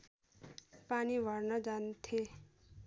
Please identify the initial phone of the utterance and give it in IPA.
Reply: p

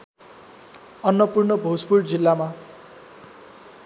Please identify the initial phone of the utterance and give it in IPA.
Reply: ʌ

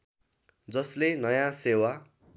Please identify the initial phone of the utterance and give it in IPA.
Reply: d͡z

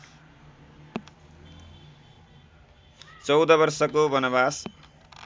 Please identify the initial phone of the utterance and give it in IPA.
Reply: t͡s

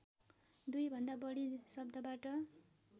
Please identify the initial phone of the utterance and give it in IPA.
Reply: d̪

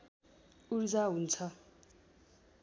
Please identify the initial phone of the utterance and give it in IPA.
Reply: u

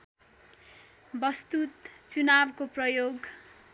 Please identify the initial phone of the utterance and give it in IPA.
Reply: b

